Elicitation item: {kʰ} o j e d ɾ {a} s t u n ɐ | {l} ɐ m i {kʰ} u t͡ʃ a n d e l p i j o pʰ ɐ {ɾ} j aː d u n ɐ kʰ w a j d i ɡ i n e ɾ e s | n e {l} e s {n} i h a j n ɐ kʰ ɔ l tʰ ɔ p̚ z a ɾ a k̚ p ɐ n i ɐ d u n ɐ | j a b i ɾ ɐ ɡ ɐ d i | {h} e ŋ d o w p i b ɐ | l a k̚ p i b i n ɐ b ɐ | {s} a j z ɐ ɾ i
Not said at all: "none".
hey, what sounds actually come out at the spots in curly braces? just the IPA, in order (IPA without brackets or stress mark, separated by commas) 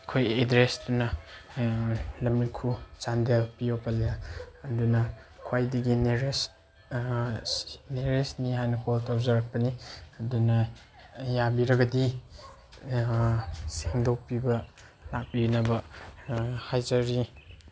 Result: kʰ, e, l, kʰ, l, ɾ, n, s, h